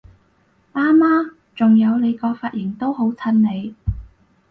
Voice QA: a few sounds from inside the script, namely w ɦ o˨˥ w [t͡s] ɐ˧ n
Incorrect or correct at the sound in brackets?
incorrect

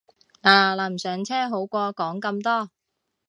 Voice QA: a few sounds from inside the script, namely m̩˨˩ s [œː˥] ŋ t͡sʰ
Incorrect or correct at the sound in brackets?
incorrect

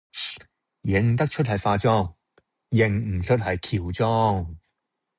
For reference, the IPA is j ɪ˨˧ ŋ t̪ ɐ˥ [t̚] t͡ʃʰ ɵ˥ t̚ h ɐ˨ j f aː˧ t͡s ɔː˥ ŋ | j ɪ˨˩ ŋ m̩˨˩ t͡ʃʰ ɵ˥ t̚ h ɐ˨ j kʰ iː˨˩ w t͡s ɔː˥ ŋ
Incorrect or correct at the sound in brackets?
incorrect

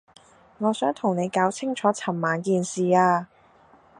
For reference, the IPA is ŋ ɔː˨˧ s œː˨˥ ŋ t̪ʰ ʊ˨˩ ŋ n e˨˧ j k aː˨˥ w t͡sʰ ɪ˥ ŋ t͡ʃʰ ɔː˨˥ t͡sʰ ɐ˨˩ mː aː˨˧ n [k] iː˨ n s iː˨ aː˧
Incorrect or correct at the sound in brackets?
correct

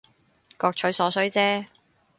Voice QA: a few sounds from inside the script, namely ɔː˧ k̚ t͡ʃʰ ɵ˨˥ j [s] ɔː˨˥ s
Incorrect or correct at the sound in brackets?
correct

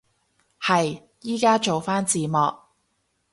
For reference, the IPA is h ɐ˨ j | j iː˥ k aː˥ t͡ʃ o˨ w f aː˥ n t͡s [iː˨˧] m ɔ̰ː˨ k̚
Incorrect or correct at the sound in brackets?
correct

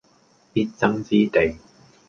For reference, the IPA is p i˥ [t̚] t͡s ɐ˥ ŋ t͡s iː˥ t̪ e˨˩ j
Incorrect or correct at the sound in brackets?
correct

